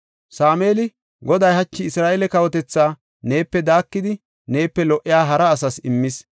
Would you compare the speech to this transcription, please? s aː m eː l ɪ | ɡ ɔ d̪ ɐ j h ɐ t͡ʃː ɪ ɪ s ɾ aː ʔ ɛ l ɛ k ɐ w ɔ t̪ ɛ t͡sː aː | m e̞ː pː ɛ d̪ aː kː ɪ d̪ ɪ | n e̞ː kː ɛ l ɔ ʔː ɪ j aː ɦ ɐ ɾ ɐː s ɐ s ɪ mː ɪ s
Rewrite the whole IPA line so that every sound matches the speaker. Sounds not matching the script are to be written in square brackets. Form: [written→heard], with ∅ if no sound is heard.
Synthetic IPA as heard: s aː m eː l ɪ | ɡ ɔ d̪ ɐ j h ɐ t͡ʃː ɪ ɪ s ɾ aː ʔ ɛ l ɛ k ɐ w ɔ t̪ ɛ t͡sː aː | [m→n] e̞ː pː ɛ d̪ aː kː ɪ d̪ ɪ | n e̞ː [kː→pː] ɛ l ɔ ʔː ɪ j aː ɦ ɐ ɾ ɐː s ɐ s ɪ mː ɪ s